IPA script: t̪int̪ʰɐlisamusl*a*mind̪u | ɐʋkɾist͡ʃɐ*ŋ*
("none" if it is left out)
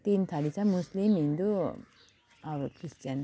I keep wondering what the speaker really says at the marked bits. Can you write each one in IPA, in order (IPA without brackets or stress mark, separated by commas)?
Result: i, n